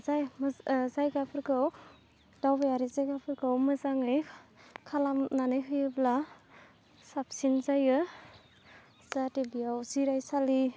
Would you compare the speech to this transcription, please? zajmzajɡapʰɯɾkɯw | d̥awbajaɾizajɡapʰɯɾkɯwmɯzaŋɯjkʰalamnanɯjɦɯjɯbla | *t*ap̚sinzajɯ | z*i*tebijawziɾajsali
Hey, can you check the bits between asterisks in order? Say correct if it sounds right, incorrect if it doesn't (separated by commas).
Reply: incorrect, incorrect